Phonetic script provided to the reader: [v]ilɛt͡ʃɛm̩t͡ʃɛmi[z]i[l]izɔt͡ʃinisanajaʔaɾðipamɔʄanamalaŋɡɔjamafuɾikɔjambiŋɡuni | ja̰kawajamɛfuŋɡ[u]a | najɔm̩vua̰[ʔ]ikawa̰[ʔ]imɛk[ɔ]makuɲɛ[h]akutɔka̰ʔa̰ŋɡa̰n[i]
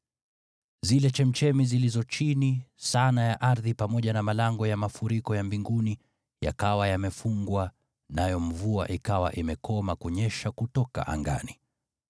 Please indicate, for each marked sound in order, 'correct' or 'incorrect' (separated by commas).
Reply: incorrect, correct, correct, incorrect, correct, correct, correct, incorrect, correct